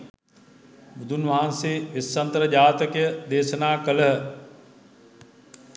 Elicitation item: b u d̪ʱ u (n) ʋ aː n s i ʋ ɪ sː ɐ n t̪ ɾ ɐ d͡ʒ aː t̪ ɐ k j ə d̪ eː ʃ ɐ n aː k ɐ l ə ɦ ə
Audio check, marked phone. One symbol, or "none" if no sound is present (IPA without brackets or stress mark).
n